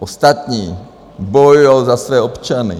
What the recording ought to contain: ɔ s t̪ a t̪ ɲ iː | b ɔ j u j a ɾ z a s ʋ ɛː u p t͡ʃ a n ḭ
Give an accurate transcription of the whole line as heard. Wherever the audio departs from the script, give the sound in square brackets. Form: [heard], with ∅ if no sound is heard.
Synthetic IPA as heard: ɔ s t̪ a t̪ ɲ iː | b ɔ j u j a [l] z a s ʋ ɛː [ɔ] p t͡ʃ a n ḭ